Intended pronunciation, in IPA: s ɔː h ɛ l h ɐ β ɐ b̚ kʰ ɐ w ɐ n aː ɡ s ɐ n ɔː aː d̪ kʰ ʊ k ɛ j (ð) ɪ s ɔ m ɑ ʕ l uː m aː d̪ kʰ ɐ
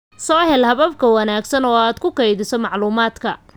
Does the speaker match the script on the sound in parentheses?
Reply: yes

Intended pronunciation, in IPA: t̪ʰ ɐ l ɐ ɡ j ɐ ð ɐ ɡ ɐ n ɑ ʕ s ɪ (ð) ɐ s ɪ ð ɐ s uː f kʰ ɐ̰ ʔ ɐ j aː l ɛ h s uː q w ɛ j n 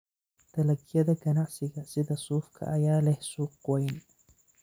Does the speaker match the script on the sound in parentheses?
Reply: no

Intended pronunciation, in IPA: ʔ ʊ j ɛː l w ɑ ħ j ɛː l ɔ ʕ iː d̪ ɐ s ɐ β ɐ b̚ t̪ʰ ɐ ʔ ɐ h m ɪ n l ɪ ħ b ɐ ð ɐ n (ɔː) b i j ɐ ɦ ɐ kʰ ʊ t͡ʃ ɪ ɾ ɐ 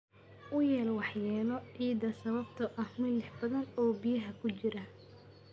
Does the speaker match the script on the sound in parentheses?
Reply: yes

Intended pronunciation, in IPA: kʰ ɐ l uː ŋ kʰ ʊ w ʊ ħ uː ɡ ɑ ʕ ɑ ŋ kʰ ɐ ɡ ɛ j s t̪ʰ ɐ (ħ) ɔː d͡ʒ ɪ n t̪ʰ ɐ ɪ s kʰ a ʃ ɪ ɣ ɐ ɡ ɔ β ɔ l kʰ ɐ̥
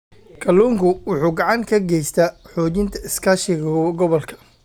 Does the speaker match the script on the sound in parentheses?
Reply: yes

